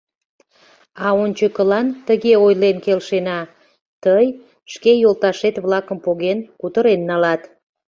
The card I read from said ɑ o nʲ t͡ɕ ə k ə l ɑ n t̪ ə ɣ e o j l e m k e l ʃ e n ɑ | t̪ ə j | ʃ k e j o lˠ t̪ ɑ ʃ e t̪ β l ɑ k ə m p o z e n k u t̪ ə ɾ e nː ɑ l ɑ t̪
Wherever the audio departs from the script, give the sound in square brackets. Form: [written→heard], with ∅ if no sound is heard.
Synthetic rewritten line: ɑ o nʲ t͡ɕ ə k ə l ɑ n t̪ ə ɣ e o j l e [m→n] k e l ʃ e n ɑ | t̪ ə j | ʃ k e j o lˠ t̪ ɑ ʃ e t̪ β l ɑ k ə m p o [z→ɣ] e n k u t̪ ə ɾ e nː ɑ l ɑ t̪